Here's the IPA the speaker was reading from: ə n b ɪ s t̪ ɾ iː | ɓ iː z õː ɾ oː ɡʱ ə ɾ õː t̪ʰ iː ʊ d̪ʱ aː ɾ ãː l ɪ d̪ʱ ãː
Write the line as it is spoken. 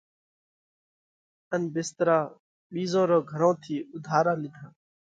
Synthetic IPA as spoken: ə n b ɪ s t̪ ɾ aː | ɓ iː z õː ɾ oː ɡʱ ə ɾ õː t̪ʰ iː ʊ d̪ʱ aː ɾ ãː l ɪ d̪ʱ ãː